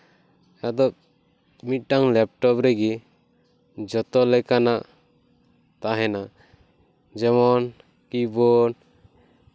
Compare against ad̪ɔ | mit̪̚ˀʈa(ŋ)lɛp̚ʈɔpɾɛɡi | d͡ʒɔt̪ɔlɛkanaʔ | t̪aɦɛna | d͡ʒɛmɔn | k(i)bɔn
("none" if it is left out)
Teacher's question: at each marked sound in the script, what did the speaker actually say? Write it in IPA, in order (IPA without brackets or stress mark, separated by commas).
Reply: ŋ, i